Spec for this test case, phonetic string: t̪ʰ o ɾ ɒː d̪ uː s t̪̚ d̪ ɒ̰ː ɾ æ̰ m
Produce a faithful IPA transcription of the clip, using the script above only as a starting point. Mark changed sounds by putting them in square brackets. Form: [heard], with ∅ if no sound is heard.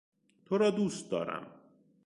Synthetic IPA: t̪ʰ o ɾ ɒː d̪ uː s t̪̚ d̪ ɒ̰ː ɾ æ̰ m

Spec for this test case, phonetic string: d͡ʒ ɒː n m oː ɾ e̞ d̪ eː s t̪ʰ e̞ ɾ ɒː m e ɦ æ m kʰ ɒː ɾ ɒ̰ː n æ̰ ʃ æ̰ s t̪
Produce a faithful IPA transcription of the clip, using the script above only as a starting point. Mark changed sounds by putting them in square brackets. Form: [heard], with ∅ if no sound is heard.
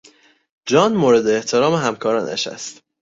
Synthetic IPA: d͡ʒ ɒː n m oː ɾ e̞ d̪ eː [h] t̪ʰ e̞ ɾ ɒː m e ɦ æ m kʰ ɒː ɾ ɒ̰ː n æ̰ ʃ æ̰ s t̪

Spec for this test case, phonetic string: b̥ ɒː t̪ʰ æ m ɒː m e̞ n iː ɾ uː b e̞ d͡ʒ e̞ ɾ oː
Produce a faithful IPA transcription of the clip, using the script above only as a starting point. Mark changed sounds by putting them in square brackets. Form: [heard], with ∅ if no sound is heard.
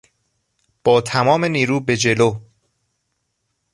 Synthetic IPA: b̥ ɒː t̪ʰ æ m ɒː m e̞ n iː ɾ uː b e̞ d͡ʒ e̞ [l] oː

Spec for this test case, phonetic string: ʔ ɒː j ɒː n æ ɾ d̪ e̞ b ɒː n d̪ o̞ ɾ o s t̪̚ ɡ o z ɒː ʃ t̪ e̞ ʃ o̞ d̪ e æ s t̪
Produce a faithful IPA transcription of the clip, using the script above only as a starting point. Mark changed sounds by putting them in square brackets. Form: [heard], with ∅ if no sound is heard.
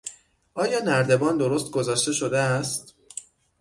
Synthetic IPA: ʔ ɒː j ɒː n æ ɾ d̪ e̞ b ɒː n d̪ o̞ ɾ o s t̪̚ ɡ o z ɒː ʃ t̪ e̞ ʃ o̞ d̪ e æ s t̪

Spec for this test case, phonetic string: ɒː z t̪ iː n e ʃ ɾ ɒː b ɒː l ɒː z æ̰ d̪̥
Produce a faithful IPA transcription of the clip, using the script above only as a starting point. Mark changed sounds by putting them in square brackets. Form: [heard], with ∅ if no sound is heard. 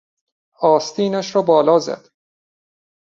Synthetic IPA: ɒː [s] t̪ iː n [æ] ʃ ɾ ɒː b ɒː l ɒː z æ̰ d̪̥

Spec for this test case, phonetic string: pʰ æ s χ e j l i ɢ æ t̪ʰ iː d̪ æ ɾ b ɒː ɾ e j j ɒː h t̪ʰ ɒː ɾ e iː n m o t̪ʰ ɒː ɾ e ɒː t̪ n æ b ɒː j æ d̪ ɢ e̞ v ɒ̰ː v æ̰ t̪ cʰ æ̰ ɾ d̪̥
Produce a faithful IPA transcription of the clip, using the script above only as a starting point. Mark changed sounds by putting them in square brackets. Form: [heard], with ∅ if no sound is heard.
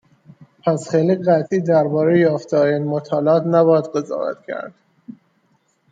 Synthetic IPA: pʰ æ s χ e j l i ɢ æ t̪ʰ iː d̪ æ ɾ b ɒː ɾ e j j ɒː [f] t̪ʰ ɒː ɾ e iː n m o t̪ʰ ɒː [l] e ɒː t̪ n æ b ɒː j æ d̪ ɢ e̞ [z] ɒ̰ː v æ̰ t̪ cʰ æ̰ ɾ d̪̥

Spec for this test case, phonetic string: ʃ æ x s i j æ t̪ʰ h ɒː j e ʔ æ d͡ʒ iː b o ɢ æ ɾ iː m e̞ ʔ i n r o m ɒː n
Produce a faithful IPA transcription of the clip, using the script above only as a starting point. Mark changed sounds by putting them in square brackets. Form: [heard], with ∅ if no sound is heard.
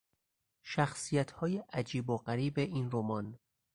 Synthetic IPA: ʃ æ x s i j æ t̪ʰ h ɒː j e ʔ æ d͡ʒ iː b o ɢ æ ɾ iː [b] e̞ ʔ i n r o m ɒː n

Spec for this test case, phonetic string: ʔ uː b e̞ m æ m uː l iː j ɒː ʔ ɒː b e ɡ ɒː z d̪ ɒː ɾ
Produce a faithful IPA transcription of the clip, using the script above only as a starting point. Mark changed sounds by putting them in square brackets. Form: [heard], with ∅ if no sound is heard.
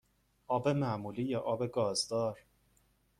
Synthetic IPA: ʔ [ɒː] b e̞ m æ m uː l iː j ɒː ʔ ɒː b e ɡ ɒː z d̪ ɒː ɾ

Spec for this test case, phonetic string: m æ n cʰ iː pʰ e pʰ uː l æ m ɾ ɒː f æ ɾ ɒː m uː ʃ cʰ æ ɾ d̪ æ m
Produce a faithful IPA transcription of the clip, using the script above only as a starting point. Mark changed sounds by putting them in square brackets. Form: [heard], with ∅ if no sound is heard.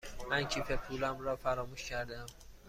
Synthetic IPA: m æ n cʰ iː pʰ e pʰ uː l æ m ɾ ɒː f æ ɾ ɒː m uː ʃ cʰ æ ɾ d̪ æ m

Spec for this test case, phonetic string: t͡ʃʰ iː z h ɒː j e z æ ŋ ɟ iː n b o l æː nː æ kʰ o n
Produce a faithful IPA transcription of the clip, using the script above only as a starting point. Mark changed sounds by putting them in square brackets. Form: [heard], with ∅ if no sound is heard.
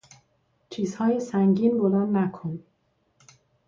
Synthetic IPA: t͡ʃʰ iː z h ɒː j e [s] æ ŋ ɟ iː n b o l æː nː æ kʰ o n

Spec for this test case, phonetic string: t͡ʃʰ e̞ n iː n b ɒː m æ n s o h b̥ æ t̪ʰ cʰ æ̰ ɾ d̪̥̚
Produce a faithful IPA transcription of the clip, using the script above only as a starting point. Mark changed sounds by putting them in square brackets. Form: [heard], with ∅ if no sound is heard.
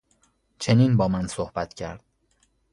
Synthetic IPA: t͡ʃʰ e̞ n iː n b ɒː m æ n s o h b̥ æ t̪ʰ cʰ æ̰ ɾ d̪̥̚

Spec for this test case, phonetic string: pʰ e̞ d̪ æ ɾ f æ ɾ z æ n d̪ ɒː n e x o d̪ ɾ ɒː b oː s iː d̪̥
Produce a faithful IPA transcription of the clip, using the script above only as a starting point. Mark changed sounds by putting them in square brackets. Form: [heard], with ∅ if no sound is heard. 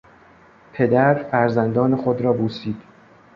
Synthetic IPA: pʰ e̞ d̪ æ ɾ f æ ɾ z æ n d̪ ɒː n e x o d̪ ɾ ɒː b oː s iː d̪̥

